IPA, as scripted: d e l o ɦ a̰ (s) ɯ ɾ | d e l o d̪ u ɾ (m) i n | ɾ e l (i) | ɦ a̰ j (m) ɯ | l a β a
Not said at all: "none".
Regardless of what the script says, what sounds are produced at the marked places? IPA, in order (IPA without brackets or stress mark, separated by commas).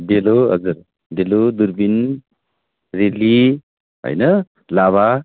z, b, i, n